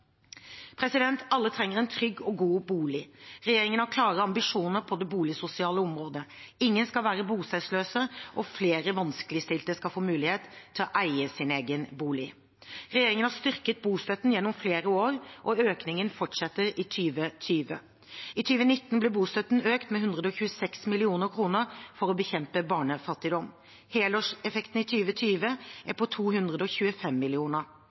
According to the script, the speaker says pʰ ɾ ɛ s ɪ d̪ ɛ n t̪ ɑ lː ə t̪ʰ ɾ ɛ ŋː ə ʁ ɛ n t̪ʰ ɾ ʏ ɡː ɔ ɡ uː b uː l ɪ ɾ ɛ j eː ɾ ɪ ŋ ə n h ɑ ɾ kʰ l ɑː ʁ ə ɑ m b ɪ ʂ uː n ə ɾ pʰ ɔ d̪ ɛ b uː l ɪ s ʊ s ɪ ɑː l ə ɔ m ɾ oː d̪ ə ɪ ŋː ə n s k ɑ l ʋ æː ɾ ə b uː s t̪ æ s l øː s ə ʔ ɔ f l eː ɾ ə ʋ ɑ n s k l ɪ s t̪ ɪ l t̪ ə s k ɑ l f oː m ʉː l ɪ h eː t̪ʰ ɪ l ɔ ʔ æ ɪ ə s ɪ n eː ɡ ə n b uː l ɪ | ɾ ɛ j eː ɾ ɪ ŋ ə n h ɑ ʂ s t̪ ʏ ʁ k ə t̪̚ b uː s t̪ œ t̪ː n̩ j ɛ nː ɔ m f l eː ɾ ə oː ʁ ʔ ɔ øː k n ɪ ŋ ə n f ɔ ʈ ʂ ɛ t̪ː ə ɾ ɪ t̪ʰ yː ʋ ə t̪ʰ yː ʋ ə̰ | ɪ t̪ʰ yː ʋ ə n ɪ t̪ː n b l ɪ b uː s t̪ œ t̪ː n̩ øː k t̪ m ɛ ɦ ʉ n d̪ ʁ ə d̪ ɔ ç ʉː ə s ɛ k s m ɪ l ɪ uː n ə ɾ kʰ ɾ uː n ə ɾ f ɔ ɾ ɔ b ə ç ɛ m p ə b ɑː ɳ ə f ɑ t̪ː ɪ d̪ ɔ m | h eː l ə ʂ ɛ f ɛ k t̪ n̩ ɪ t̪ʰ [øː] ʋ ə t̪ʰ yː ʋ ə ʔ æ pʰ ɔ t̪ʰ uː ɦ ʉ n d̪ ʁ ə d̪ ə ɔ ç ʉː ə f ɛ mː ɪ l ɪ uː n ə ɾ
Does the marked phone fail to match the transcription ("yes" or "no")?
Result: yes